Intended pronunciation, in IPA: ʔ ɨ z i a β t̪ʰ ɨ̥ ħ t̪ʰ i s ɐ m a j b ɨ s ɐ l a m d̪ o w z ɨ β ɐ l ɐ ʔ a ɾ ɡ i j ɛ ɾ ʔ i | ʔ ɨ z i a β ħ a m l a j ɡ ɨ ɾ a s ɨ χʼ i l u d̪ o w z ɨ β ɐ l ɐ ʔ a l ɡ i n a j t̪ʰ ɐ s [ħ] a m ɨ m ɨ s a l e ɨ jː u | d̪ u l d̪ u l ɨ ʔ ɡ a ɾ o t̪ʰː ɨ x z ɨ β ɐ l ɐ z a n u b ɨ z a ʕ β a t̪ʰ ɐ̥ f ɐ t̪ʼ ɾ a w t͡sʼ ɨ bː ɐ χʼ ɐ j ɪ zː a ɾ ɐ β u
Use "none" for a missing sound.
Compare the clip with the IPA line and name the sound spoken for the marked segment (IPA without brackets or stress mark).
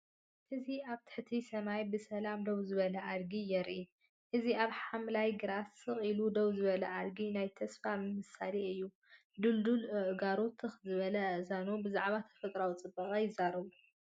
f